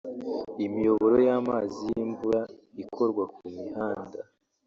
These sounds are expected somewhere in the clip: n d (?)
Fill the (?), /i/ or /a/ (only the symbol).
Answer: a